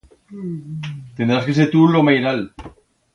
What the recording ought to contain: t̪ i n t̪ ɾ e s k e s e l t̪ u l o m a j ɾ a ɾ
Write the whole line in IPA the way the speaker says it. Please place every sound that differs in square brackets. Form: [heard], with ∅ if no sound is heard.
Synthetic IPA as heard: t̪ [e] n [d̪] ɾ [a] s k e s e [ɾ] t̪ u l o m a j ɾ a [l]